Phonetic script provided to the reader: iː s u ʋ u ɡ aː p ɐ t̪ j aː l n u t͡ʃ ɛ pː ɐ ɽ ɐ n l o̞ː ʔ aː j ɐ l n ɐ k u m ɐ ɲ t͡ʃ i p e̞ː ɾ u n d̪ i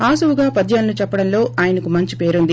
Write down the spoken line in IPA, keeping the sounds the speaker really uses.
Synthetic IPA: aː s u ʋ u ɡ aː p ɐ d̪ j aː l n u t͡ʃ ɛ pː ɐ ɽ ɐ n l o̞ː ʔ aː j ɐ n ɐ k u m ɐ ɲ t͡ʃ i p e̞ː ɾ u n d̪ i

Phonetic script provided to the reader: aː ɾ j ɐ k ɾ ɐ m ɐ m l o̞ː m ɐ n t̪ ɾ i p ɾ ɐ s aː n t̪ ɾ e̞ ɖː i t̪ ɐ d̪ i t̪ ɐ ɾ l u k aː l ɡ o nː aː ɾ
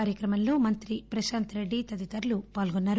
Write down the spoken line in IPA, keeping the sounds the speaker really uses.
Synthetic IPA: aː ɾ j ɐ k ɾ ɐ m ɐ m l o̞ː m ɐ n t̪ ɾ i p ɾ ɐ ʃ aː n t̪ ɾ e̞ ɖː i t̪ ɐ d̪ i t̪ ɐ ɾ l u p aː l ɡ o nː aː ɾ

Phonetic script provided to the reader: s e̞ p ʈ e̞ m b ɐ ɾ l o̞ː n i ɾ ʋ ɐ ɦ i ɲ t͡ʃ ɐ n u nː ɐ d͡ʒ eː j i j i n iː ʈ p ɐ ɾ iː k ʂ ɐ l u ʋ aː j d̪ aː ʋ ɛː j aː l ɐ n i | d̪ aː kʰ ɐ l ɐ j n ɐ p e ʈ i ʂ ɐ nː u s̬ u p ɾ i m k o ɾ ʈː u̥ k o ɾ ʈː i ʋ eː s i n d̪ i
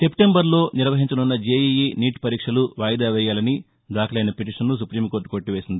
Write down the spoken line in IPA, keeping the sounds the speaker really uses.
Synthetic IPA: s e̞ p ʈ e̞ m b ɐ ɾ l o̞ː n i ɾ ʋ ɐ ɦ i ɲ t͡ʃ ɐ n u nː ɐ d͡ʒ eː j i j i n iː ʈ p ɐ ɾ iː k ʂ ɐ l u ʋ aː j d̪ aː ʋ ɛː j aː l ɐ n i | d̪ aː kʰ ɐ l ɐ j n ɐ p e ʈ i ʂ ɐ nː u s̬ u p ɾ iː m k o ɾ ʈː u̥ k o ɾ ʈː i ʋ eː s i n d̪ i

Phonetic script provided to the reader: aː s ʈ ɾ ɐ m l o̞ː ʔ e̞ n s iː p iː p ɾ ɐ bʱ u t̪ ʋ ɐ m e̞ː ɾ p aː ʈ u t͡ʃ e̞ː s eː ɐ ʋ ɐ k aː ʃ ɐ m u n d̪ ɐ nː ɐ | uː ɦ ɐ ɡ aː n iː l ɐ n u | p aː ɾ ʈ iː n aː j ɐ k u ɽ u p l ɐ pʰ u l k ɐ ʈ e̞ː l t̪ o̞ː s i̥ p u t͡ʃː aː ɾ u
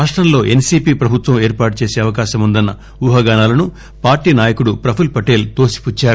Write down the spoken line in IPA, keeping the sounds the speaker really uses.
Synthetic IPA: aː ʂ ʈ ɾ ɐ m l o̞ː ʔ e̞ n s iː p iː p ɾ ɐ bʱ u t̪ ʋ ɐ m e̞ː ɾ p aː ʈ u t͡ʃ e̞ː s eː ɐ ʋ ɐ k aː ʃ ɐ m u n d̪ ɐ nː ɐ | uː ɦ ɐ ɡ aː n aː l ɐ n u | p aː ɾ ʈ iː n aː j ɐ k u ɽ u p ɾ ɐ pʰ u l p ɐ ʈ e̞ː l t̪ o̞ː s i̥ p u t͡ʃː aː ɾ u

